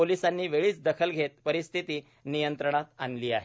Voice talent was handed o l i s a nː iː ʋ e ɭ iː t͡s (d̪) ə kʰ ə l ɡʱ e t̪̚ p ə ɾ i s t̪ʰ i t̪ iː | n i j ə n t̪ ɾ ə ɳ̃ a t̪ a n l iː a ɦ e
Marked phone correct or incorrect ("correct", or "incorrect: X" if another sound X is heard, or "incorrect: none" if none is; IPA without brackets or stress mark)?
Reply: correct